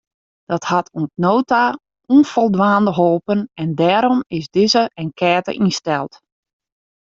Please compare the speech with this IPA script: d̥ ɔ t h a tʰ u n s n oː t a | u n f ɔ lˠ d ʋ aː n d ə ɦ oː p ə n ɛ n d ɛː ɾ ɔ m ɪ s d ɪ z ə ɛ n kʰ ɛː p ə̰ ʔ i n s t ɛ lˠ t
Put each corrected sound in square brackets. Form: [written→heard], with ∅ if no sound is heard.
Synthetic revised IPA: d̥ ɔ t h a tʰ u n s n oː t a | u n f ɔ lˠ d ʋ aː n d ə ɦ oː p ə n ɛ n d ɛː ɾ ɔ m ɪ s d ɪ z ə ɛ n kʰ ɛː [p→t] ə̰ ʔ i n s t ɛ lˠ t